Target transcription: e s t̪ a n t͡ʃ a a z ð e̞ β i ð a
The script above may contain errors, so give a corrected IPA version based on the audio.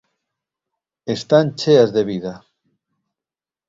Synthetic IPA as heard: e s t̪ a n t͡ʃ e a z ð e̞ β i ð a